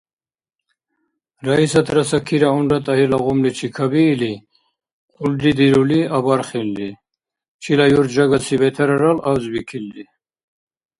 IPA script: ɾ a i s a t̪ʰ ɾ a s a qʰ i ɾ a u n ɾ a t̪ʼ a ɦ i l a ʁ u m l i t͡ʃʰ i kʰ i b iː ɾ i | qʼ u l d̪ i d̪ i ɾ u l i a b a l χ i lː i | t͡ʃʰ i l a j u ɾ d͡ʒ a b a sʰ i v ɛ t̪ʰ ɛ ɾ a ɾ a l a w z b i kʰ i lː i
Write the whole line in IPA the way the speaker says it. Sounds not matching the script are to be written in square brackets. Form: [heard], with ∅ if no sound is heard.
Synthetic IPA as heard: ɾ a i s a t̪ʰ ɾ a s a [kʰ] i ɾ a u n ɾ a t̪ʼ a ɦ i l a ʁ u m l i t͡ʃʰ i kʰ [a] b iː [l] i | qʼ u l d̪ i d̪ i ɾ u l i a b a [ɾ] χ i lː i | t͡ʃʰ i l a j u ɾ d͡ʒ a [ɡ] a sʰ i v ɛ t̪ʰ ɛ ɾ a ɾ a l a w z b i kʰ i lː i